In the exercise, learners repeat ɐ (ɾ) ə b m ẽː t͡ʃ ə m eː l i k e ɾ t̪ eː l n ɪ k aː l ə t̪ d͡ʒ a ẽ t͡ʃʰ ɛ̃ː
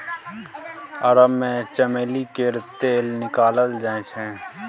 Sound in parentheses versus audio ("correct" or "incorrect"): correct